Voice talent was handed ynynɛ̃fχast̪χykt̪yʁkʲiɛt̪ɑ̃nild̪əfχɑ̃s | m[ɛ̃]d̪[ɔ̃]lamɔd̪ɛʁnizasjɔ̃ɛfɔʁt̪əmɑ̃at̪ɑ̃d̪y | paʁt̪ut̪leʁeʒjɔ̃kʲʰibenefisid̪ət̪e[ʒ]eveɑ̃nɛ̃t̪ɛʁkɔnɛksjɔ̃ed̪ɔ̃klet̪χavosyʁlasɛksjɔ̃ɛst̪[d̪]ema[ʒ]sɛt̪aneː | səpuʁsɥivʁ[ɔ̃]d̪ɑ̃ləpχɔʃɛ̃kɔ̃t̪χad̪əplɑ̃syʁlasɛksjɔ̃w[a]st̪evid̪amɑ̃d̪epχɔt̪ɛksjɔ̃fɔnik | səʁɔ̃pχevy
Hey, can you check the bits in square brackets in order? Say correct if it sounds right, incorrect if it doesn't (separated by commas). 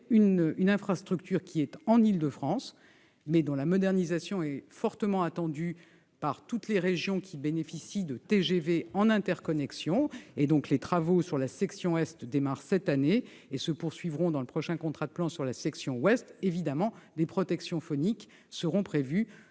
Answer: incorrect, correct, correct, correct, incorrect, correct, incorrect